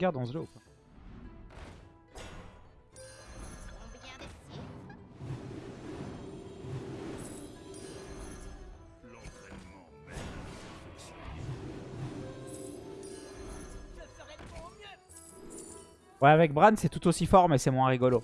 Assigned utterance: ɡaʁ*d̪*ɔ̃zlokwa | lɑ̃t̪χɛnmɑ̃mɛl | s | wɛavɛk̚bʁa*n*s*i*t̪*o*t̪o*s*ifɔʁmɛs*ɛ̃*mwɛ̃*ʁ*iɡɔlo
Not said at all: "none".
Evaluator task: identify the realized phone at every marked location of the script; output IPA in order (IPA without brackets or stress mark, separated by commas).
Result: d̪, n, ɛ, u, s, ɛ, ʁ